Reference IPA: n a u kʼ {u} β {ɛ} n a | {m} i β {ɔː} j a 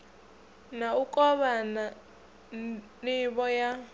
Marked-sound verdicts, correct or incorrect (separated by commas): incorrect, incorrect, incorrect, incorrect